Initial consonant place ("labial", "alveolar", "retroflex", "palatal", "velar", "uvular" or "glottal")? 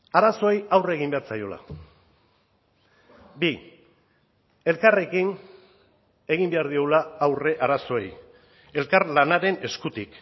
alveolar